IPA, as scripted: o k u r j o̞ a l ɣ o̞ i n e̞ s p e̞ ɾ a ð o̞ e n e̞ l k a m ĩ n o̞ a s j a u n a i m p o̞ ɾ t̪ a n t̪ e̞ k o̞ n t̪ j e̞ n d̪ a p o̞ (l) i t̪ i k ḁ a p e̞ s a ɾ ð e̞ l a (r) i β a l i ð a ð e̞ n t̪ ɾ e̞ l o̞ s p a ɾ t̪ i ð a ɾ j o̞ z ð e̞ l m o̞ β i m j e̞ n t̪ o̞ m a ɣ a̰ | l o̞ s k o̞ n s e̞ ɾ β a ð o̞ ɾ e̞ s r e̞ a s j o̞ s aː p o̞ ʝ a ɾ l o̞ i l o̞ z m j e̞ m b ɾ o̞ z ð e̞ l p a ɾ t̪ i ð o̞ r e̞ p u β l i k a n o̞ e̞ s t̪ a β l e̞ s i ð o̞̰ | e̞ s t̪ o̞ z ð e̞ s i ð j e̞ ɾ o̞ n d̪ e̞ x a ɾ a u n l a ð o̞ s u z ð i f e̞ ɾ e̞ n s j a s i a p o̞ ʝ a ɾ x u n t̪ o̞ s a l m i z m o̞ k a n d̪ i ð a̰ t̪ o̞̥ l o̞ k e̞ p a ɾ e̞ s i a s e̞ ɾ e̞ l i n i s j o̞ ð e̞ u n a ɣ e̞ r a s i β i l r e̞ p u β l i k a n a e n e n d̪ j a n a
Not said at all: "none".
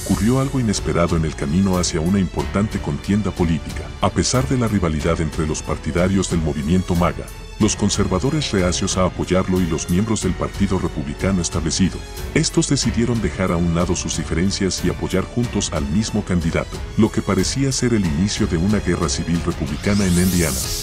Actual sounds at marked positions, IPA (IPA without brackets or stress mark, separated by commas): l, r